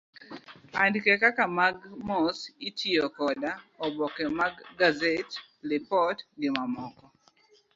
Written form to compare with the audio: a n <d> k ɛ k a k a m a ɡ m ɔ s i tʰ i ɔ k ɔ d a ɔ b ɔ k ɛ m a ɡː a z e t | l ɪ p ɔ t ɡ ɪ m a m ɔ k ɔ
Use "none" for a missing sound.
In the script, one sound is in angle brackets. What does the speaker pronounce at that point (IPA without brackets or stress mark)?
d